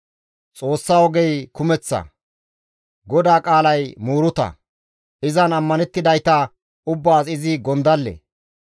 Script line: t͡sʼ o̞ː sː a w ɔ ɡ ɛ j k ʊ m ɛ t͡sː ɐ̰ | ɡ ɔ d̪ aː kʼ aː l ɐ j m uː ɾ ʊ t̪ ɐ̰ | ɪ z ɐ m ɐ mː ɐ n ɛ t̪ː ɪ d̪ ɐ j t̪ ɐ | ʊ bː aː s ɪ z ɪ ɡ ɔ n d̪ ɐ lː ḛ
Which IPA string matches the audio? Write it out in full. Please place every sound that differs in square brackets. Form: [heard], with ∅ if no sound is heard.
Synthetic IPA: t͡sʼ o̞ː sː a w ɔ ɡ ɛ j k ʊ m ɛ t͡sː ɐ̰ | ɡ ɔ d̪ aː kʼ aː l ɐ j m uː ɾ ʊ t̪ ɐ̰ | ɪ z ɐ [n] ɐ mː ɐ n ɛ t̪ː ɪ d̪ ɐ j t̪ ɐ | ʊ bː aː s ɪ z ɪ ɡ ɔ n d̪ ɐ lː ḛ